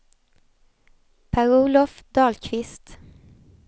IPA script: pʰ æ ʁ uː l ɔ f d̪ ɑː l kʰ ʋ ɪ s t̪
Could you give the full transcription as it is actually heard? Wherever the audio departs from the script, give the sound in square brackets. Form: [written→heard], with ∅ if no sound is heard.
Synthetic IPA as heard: pʰ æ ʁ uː l ɔ f d̪ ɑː l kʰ ʋ ɪ s t̪